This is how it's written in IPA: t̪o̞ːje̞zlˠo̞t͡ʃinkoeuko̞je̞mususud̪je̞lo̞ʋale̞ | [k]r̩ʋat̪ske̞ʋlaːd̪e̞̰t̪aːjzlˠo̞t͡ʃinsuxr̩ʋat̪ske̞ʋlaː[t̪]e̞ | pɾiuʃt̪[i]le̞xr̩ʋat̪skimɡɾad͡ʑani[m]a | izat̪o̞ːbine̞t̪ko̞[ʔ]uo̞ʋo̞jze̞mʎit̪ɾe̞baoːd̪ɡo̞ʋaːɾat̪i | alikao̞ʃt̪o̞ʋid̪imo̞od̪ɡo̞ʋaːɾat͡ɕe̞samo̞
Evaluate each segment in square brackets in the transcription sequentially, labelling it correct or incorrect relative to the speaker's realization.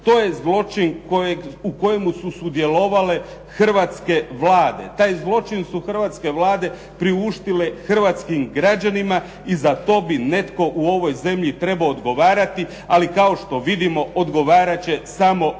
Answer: incorrect: x, incorrect: d̪, correct, correct, correct

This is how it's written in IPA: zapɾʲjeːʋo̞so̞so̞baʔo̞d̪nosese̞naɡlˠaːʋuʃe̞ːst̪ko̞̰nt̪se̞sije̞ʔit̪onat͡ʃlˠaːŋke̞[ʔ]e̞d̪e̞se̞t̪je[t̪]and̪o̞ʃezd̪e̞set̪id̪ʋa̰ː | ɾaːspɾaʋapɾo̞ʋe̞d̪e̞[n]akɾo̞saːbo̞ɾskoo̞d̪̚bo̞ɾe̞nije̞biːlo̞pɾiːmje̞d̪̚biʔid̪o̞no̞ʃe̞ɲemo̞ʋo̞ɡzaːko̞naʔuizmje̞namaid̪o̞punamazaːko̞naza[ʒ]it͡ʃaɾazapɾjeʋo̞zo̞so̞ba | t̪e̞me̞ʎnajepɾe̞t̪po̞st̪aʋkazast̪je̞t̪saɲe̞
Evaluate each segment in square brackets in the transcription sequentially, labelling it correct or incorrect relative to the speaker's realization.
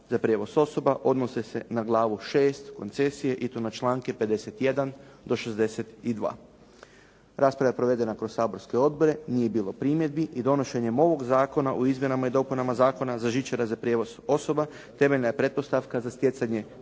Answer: incorrect: p, incorrect: d̪, correct, correct

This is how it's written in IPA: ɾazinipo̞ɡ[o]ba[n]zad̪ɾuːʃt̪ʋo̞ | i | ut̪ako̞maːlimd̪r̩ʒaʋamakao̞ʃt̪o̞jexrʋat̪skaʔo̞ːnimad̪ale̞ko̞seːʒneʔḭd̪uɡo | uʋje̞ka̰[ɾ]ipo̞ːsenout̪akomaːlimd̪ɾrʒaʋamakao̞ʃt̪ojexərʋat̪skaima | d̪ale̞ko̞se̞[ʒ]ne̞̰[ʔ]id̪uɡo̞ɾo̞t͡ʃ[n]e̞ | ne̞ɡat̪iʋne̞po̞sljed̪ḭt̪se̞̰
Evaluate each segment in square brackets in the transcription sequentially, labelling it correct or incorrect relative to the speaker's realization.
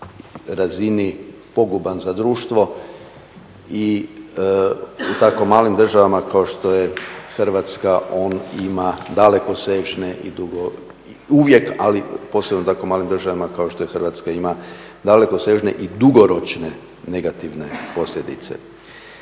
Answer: incorrect: u, correct, incorrect: l, correct, correct, correct

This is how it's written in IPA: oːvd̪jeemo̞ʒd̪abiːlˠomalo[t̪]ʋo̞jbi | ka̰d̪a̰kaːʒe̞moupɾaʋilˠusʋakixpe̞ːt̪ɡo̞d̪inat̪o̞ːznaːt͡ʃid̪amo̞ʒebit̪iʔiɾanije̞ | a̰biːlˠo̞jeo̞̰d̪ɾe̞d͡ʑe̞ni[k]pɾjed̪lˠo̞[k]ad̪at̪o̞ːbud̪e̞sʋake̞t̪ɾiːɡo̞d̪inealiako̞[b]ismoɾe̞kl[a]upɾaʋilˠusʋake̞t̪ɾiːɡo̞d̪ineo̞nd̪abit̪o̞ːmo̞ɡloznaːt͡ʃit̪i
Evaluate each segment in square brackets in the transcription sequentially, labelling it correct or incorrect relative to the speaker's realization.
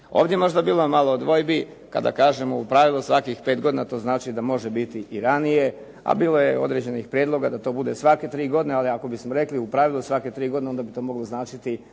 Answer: incorrect: d̪, incorrect: x, incorrect: ɡ, correct, incorrect: i

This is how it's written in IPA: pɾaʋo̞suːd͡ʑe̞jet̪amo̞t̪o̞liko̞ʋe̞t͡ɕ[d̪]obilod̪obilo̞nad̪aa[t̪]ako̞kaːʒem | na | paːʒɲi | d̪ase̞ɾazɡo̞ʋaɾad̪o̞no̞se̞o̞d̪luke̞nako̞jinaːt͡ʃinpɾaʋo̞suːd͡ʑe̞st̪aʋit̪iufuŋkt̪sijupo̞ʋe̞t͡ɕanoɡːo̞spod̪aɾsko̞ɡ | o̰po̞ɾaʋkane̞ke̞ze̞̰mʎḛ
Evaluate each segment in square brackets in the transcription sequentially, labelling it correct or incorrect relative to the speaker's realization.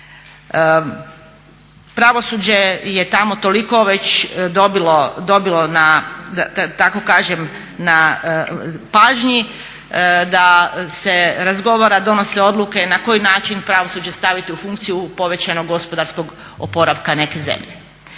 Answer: correct, correct

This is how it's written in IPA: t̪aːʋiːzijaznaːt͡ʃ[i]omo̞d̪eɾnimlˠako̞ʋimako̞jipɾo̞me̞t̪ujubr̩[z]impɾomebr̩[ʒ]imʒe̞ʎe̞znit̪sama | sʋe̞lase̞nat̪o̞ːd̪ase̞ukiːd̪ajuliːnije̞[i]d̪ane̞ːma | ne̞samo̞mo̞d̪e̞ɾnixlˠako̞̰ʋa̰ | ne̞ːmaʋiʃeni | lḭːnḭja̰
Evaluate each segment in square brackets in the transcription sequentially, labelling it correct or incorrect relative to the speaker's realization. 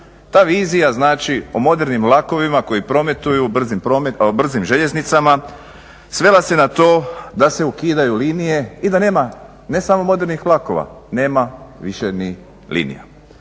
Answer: correct, correct, incorrect: z, correct

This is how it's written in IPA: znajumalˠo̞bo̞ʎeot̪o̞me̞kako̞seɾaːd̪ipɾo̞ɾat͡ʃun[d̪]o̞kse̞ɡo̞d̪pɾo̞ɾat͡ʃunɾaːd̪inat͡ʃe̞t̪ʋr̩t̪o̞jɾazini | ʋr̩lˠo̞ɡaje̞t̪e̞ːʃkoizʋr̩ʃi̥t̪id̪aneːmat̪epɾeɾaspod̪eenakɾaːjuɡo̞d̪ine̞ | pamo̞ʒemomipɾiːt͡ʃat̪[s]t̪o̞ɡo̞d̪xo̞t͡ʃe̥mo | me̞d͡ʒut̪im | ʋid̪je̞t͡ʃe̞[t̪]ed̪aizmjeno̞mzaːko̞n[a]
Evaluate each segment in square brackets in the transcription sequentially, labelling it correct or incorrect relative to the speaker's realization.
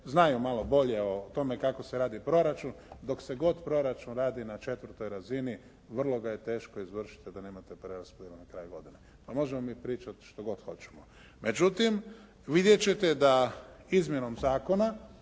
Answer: correct, incorrect: ʃ, correct, correct

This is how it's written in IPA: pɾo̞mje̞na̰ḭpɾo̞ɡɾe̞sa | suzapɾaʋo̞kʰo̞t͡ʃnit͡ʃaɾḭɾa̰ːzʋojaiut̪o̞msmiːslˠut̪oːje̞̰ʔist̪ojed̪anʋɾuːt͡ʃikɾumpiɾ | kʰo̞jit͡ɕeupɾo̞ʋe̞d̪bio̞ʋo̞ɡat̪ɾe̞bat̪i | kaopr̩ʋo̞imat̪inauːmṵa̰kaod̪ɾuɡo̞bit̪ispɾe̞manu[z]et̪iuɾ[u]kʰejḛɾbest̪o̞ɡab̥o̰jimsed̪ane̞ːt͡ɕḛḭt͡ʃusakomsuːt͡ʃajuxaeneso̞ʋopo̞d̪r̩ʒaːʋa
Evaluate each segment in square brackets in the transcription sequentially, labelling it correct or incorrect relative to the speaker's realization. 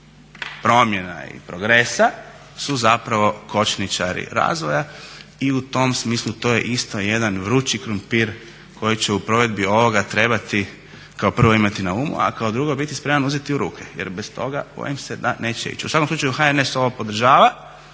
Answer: correct, incorrect: uː

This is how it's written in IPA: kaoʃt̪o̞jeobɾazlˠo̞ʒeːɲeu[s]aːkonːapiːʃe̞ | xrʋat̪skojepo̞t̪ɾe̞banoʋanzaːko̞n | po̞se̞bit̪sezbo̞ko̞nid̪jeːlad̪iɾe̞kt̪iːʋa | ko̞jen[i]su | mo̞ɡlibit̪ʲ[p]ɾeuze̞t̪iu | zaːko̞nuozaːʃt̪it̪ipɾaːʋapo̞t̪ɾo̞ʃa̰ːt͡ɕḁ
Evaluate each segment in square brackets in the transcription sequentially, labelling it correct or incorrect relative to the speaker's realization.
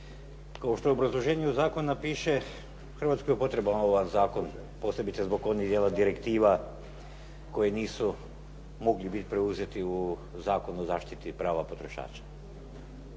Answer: incorrect: z, incorrect: iː, correct

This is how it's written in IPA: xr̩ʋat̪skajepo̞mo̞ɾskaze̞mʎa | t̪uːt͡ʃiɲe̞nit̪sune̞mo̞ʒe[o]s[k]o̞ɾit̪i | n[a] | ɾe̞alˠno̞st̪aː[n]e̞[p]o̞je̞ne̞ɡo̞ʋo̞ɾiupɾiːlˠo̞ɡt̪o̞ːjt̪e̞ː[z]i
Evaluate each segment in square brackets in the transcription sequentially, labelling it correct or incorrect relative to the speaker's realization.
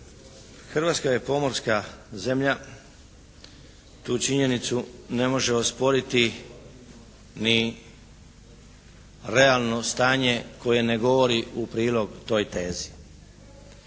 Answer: correct, incorrect: p, incorrect: i, incorrect: ɲ, incorrect: k, correct

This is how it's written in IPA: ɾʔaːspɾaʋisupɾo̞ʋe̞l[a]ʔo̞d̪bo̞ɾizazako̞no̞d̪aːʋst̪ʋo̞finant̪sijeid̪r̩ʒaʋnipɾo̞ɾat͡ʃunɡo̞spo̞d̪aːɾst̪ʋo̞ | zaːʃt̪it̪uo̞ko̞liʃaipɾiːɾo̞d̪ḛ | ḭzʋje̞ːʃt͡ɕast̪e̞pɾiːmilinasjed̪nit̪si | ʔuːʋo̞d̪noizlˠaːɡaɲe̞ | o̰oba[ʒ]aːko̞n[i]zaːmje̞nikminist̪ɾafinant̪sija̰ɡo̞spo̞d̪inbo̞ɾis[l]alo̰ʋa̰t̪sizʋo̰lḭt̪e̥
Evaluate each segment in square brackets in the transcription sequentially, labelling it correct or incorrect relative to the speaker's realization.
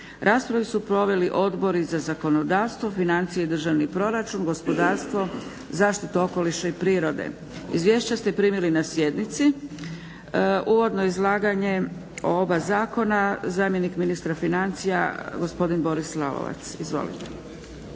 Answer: incorrect: i, incorrect: z, incorrect: a, correct

